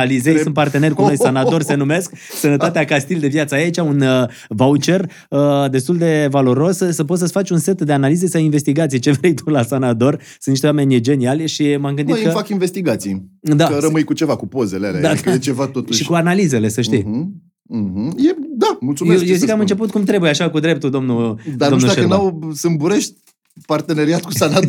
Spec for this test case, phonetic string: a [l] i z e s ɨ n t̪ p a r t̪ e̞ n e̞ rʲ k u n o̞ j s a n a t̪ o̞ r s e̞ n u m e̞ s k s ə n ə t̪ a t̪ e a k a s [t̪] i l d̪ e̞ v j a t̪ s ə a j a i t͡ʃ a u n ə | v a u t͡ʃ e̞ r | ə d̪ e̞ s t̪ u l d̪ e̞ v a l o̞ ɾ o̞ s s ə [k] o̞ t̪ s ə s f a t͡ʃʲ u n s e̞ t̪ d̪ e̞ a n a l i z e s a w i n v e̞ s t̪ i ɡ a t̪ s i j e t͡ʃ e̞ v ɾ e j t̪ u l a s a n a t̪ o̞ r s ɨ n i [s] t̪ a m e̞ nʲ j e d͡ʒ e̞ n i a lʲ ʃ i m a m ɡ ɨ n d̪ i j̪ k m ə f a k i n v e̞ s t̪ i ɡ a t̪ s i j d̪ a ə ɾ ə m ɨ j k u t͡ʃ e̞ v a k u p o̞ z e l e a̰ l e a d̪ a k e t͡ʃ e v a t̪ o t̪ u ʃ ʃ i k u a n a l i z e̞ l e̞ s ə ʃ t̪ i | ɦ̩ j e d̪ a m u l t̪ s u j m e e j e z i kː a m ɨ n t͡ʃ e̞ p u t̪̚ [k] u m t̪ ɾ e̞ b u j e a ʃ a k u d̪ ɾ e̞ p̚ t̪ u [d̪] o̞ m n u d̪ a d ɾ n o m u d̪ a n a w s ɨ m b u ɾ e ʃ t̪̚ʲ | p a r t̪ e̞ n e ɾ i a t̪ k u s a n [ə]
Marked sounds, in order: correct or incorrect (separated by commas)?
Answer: correct, correct, incorrect, incorrect, correct, correct, incorrect